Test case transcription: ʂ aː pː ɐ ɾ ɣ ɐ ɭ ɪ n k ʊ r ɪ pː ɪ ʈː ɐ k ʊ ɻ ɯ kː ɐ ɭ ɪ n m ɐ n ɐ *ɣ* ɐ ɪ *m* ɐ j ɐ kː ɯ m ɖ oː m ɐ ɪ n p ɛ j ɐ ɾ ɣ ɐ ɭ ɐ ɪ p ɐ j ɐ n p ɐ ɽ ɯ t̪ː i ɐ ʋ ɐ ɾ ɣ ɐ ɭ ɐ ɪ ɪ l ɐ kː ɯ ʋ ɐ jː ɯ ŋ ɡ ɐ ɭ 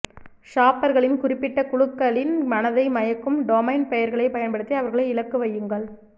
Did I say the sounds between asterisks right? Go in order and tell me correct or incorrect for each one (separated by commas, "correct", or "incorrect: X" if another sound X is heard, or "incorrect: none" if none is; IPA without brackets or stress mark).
incorrect: ð, correct